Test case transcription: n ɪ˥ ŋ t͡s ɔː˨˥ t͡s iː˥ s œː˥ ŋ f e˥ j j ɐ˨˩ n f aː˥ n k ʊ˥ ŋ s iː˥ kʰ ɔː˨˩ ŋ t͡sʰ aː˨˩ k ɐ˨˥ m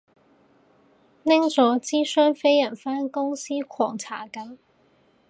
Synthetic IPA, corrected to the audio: n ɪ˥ ŋ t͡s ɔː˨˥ t͡s iː˥ s œː˥ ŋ f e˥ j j ɐ˨˩ n f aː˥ n k ʊ˥ ŋ s iː˥ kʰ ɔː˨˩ ŋ t͡sʰ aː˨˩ k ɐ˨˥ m